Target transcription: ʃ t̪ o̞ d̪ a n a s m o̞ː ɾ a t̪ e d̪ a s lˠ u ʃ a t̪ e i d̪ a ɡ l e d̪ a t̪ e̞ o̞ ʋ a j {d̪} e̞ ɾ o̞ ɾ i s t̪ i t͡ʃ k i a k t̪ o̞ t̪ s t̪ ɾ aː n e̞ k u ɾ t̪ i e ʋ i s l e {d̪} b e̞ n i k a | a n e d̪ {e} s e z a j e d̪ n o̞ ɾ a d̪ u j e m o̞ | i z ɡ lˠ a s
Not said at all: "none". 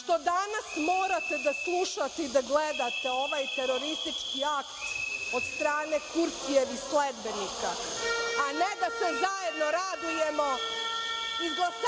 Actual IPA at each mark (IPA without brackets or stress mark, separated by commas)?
t̪, d̪, a